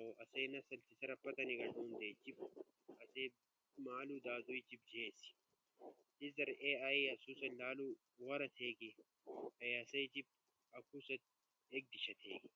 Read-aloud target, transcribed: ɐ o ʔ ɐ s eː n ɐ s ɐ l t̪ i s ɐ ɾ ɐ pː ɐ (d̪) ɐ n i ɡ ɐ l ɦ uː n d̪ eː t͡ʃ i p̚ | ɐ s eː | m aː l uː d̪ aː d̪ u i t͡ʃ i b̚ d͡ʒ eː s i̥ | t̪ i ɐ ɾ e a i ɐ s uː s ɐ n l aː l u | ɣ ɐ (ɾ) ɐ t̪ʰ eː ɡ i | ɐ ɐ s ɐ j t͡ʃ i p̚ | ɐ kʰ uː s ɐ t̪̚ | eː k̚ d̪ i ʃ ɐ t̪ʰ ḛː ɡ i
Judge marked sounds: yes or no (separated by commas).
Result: no, yes